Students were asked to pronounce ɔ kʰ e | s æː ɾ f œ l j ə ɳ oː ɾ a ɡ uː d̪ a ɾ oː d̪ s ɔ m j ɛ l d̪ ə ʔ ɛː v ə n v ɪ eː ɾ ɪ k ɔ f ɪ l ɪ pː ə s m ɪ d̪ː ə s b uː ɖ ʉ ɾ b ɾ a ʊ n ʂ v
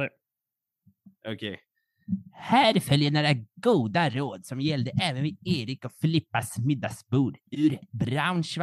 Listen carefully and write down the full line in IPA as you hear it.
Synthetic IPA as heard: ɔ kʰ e | h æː ɾ f œ l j ə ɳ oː ɾ a ɡ uː d̪ a ɾ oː d̪ s ɔ m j ɛ l d̪ ə ʔ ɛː v ə n v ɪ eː ɾ ɪ k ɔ f ɪ l ɪ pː a s m ɪ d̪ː a s b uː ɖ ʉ ɾ b ɾ a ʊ n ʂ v